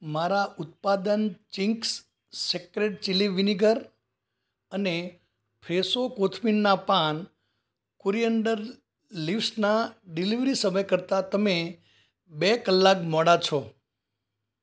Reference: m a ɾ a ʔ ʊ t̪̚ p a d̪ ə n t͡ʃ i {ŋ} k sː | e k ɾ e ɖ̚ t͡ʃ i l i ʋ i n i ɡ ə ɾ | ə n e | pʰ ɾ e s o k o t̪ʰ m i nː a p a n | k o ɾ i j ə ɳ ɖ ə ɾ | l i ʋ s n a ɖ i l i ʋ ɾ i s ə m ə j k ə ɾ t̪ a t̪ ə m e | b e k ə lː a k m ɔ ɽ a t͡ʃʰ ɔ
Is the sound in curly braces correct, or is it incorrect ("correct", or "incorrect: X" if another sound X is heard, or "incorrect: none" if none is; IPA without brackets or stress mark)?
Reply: correct